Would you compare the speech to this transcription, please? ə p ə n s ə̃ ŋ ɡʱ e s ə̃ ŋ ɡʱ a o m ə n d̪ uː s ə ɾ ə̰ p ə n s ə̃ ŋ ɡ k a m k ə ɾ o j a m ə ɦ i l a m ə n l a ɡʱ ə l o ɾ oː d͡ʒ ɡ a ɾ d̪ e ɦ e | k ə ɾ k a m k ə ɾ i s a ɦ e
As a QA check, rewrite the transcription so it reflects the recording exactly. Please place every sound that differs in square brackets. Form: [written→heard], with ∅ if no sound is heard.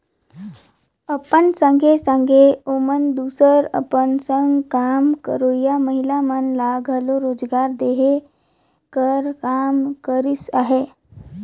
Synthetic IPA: ə p ə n s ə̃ ŋ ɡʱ e s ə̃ ŋ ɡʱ [a→e] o m ə n d̪ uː s ə ɾ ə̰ p ə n s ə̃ ŋ ɡ k a m k ə ɾ o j a m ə ɦ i l a m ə n l a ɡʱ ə l o ɾ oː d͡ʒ ɡ a ɾ d̪ e ɦ e | k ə ɾ k a m k ə ɾ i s a ɦ e